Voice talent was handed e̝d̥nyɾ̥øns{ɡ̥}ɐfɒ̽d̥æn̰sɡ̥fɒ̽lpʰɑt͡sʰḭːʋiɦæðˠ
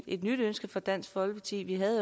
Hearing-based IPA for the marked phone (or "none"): ɡ̥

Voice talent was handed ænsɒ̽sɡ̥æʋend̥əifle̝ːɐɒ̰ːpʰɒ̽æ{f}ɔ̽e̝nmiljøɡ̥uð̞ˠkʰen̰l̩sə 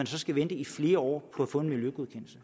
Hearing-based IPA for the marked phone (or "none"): f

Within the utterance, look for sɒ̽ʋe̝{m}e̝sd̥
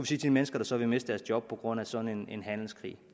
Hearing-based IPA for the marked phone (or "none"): m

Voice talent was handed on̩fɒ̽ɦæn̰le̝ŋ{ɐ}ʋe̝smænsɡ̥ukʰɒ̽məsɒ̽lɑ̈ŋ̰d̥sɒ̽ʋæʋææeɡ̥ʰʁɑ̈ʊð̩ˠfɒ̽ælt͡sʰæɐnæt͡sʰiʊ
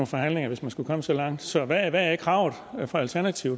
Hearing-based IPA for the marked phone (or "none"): ɐ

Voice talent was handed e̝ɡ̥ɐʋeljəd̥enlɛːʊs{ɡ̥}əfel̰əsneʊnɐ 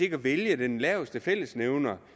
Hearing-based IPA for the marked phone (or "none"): d̥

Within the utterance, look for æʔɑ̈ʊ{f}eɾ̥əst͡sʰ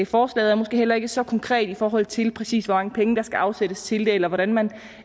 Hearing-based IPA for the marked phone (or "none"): s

